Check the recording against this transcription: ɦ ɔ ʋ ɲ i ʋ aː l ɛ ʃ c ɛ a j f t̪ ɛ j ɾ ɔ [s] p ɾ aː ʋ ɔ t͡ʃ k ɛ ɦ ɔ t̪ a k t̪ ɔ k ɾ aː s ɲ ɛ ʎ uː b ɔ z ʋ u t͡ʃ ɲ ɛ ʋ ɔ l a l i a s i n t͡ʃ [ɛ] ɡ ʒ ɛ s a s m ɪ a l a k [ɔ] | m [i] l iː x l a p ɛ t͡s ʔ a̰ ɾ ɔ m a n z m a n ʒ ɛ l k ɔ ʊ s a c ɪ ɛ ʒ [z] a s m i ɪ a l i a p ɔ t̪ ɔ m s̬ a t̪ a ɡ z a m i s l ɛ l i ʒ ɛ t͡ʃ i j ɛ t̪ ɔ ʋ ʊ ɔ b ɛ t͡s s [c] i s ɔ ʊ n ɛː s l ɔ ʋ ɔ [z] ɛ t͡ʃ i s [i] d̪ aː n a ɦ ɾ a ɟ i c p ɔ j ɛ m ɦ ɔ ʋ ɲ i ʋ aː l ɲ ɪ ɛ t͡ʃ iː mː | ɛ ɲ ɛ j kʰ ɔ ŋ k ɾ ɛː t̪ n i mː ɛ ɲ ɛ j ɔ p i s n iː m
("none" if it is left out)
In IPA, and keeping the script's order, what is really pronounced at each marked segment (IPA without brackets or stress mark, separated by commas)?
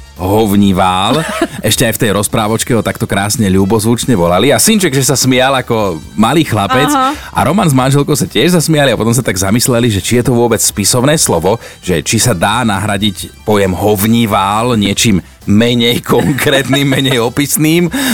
s, ɛ, ɔ, a, z, p, ʒ, a